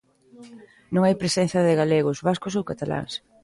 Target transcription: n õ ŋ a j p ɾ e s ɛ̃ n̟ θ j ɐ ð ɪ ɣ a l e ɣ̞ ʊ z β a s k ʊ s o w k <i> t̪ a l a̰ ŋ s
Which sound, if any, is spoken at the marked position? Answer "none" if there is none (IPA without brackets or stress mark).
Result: a